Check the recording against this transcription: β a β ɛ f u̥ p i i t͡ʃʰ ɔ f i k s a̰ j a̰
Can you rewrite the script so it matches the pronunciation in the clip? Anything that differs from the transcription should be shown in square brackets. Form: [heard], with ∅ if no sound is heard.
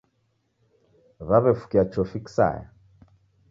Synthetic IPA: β a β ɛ f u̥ [k] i [a] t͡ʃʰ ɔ f i k s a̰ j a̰